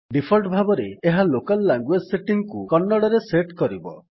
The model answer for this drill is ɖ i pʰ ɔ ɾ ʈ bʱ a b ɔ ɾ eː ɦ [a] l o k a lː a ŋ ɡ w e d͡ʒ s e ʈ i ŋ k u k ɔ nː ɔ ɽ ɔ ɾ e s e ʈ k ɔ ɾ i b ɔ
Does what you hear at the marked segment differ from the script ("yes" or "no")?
no